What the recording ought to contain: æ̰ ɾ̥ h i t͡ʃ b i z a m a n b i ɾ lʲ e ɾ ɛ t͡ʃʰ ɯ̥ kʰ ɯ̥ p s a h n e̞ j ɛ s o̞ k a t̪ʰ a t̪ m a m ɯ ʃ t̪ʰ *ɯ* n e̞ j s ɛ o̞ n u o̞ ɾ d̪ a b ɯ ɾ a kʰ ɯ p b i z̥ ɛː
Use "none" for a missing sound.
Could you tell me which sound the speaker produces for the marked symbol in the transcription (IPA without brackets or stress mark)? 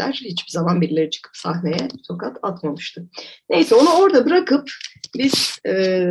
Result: ɯ